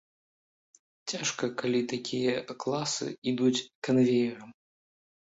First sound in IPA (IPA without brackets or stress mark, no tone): t͡sʲ